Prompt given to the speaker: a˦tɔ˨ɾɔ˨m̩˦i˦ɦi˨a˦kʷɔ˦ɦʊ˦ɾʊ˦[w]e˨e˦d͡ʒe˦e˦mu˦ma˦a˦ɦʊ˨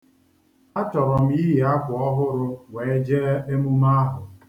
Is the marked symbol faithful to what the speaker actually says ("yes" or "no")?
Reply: yes